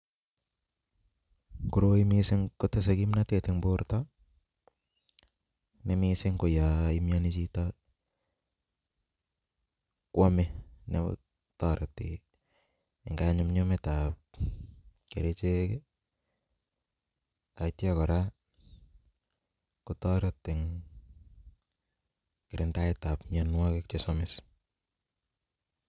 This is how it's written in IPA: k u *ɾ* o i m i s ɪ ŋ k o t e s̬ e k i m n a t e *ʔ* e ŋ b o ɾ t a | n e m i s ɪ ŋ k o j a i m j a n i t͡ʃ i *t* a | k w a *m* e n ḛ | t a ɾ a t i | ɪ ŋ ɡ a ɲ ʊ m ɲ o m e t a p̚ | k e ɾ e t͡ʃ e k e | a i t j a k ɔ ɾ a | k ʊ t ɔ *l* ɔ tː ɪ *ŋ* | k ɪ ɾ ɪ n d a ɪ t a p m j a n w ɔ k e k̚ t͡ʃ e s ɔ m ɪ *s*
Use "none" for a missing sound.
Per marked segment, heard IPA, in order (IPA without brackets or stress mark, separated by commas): ɾ, t, t, m, ɾ, ŋ, s